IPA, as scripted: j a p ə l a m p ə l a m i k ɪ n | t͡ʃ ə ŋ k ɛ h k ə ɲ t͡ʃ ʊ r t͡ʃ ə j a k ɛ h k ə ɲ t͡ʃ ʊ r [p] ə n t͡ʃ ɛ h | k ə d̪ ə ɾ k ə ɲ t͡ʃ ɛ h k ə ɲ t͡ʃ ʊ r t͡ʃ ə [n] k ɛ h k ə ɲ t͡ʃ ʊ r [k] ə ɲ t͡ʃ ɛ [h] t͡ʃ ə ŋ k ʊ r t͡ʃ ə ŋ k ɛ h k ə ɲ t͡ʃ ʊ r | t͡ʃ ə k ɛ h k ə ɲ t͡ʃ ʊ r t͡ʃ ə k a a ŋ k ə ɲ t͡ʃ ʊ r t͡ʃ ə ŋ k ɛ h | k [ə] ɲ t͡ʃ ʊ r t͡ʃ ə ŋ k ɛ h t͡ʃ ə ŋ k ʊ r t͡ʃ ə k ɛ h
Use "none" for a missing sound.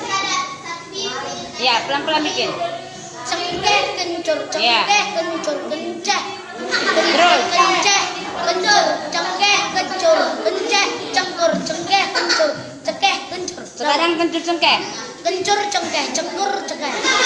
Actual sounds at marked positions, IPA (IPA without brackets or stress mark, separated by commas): k, ŋ, k, h, ə